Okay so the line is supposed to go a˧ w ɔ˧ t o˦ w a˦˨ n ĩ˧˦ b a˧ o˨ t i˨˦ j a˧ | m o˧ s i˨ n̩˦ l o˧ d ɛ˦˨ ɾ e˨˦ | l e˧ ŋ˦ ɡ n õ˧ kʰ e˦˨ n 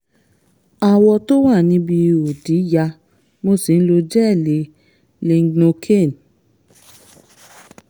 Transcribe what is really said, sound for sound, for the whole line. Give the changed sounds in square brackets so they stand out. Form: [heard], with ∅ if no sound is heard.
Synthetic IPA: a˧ w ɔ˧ t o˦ w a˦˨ n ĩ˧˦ b [i˧] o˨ [d] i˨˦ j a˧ | m o˧ s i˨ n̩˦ l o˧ [d͡ʒ] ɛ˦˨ [l] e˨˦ | l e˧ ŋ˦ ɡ n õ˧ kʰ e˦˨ n